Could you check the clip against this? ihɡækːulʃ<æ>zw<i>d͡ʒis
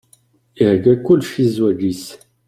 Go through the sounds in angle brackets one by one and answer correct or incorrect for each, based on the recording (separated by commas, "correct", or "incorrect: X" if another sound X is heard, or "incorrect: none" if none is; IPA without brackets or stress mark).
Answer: incorrect: i, incorrect: æ